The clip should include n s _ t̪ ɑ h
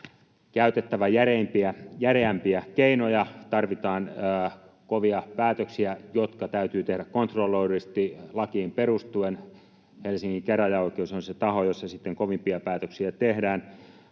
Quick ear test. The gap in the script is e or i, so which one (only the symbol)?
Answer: e